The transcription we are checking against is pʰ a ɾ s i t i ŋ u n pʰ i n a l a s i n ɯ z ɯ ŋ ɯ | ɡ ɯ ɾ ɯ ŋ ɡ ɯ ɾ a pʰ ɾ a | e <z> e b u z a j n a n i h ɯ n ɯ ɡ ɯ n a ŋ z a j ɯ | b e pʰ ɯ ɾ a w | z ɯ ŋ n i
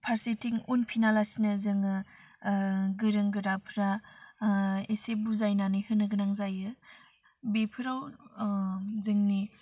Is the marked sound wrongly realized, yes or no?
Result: yes